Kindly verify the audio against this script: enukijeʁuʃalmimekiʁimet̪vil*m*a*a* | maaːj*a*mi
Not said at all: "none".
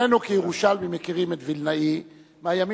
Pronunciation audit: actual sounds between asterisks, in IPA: n, i, a

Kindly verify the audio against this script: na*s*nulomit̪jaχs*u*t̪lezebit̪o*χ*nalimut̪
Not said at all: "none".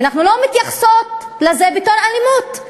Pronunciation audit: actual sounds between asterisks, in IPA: χ, o, none

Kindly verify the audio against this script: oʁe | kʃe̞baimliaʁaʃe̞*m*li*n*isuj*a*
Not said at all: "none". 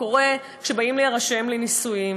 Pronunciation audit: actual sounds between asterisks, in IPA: m, n, i

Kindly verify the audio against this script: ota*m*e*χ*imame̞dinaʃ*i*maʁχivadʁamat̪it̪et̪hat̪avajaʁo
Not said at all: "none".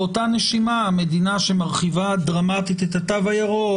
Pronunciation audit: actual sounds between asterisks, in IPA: n, ʃ, e

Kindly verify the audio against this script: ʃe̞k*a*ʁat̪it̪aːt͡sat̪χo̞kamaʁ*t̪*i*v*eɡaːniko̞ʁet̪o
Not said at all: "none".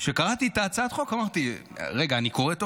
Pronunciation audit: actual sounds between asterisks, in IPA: a, t̪, ʁ

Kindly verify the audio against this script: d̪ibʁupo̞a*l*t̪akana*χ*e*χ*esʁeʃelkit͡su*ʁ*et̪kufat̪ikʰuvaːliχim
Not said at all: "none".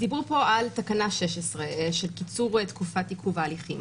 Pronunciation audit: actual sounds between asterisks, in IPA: l, ʃ, ʃ, ʁ

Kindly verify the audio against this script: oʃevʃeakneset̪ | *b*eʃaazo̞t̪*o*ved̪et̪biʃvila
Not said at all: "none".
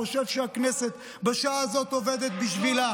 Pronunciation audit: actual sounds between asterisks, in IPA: b, o

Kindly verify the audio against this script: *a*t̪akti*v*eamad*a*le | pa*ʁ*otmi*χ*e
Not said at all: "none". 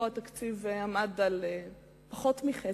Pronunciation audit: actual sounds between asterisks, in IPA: a, v, a, χ, χ

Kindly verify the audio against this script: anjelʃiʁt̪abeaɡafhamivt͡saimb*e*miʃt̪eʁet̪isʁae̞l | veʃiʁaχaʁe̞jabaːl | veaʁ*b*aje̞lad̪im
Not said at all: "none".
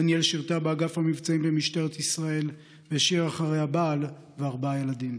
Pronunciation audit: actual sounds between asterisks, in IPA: e, b

